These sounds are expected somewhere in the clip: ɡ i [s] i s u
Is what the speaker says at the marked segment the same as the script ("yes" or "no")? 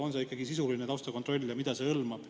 yes